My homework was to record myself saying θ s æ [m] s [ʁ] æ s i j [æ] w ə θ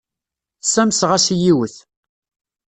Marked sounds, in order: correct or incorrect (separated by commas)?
correct, correct, incorrect